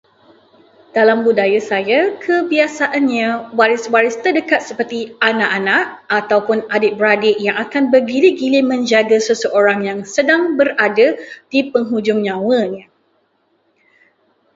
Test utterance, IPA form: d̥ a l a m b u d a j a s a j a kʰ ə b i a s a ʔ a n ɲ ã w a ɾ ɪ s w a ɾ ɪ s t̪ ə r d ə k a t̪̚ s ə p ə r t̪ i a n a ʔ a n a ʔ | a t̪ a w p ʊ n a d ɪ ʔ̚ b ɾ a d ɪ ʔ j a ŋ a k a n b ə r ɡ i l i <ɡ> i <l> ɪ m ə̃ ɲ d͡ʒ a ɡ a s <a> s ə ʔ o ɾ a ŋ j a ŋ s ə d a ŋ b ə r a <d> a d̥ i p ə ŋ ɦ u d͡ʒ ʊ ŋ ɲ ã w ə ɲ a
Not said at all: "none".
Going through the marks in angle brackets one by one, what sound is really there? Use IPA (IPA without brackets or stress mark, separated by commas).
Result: ɡ, l, ə, d